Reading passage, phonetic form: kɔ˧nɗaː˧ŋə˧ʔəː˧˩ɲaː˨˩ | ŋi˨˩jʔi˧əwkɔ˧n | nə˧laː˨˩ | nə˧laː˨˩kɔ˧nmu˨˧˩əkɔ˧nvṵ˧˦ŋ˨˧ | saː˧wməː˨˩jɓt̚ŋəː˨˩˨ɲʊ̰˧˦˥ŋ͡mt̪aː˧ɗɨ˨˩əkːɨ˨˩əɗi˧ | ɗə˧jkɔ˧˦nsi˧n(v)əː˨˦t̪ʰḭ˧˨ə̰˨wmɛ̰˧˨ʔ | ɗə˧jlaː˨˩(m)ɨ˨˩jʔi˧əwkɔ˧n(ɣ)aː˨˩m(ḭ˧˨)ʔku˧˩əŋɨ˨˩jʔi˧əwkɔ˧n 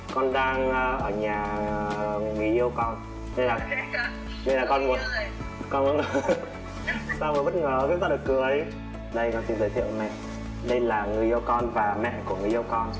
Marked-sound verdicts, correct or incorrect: incorrect: z, incorrect: ŋ, incorrect: v, incorrect: ɛ̰˧˨

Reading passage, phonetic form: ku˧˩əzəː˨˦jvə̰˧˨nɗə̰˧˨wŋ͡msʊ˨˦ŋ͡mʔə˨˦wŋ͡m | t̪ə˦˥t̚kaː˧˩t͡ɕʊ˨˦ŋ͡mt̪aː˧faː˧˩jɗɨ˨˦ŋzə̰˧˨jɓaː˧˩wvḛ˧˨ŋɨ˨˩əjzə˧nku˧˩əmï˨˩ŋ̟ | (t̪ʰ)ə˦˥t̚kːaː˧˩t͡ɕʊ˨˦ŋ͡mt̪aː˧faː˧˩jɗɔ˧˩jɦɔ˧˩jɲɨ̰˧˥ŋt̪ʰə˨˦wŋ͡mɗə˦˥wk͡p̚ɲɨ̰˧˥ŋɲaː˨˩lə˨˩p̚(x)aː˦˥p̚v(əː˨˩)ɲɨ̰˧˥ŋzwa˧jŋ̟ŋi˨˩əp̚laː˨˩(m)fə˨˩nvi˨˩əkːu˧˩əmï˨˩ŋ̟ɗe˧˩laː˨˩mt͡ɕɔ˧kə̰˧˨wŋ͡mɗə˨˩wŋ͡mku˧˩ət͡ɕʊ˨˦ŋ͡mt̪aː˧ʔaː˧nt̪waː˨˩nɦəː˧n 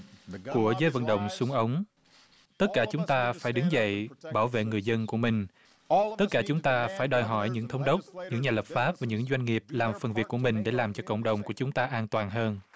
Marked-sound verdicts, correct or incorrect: incorrect: t̪, incorrect: f, incorrect: aː˨˩, correct

